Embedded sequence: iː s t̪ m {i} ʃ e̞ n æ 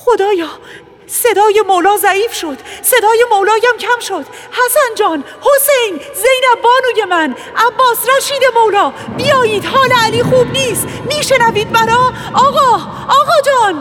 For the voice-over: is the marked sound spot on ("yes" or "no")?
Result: no